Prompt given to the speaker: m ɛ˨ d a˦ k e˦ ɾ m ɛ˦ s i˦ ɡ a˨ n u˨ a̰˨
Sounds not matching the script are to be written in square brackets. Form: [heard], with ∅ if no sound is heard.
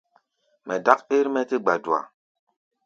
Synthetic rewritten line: m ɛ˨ d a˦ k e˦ ɾ m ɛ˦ [t] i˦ [ɡ͡b] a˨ [d] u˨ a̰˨